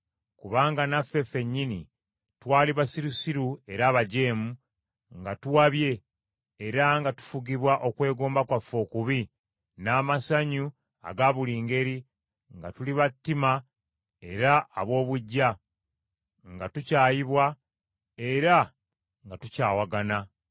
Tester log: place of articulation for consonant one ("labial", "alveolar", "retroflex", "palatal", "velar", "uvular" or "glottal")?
velar